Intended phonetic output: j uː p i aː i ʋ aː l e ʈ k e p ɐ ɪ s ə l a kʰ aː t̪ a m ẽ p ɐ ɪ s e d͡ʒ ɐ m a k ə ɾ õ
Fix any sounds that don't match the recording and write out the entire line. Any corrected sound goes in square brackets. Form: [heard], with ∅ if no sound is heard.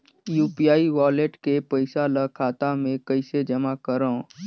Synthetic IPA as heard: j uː p i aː i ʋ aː l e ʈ k e p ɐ ɪ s [a] l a kʰ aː t̪ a m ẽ [k] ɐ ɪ s e d͡ʒ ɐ m a k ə ɾ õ